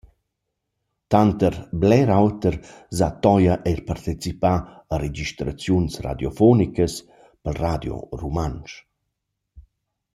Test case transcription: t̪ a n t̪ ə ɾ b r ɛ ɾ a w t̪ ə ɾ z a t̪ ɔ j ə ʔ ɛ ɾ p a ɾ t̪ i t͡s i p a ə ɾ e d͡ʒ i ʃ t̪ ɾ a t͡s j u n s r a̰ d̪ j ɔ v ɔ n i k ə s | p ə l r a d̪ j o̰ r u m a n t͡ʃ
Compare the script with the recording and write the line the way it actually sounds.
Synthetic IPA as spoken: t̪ a n t̪ ə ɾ b l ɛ ɾ a w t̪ ə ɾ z a t̪ ɔ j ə ʔ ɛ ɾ p a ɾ t̪ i t͡s i p a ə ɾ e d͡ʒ i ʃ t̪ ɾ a t͡s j u n s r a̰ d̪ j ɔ f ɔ n i k ə s | p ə l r a d̪ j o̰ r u m a n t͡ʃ